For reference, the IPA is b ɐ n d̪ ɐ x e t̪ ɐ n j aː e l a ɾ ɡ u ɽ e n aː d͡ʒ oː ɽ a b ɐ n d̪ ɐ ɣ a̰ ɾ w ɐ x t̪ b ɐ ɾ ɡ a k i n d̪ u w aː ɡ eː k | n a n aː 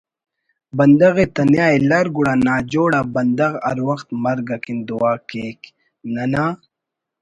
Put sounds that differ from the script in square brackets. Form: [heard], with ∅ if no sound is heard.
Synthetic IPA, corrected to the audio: b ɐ n d̪ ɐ [ɣ] e t̪ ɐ n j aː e l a ɾ ɡ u ɽ [a] n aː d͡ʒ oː ɽ a b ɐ n d̪ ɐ ɣ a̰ ɾ w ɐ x t̪ [m] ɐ ɾ ɡ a k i n d̪ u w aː [k] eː k | n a n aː